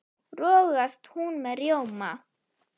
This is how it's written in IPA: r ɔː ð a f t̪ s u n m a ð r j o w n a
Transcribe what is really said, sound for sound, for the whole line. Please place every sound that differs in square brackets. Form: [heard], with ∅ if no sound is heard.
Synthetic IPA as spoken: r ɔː [ɣ] a [s] t̪ [h] u n m [ɛ] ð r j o w [m] a